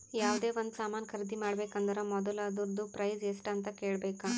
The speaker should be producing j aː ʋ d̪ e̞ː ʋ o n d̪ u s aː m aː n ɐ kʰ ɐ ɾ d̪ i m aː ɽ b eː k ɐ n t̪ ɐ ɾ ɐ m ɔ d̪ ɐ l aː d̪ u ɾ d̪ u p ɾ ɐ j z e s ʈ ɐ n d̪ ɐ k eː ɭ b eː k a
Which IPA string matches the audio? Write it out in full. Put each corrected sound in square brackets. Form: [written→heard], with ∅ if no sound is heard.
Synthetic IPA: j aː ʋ d̪ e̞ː ʋ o n d̪ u s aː m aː n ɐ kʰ ɐ ɾ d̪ i m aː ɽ b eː k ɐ n [t̪→d̪] ɐ ɾ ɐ m ɔ d̪ ɐ l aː d̪ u ɾ d̪ u p ɾ ɐ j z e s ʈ ɐ n [d̪→t̪] ɐ k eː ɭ b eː k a